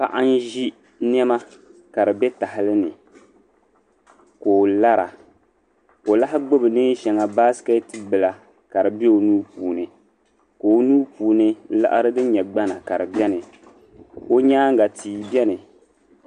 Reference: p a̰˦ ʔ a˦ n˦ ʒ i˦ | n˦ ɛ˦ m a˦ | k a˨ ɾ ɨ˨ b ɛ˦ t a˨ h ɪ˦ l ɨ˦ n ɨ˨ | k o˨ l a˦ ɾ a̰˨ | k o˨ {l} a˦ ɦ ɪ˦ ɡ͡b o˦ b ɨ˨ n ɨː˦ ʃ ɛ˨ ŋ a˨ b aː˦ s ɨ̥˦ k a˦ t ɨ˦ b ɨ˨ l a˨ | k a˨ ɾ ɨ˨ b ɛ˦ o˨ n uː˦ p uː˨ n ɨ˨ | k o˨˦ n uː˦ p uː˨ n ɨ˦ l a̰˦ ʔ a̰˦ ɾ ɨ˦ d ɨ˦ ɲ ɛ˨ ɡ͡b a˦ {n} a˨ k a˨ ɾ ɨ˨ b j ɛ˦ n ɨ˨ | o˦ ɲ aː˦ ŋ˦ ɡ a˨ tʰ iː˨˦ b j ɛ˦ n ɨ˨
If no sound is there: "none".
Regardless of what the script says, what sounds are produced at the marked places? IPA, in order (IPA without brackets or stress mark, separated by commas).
l, n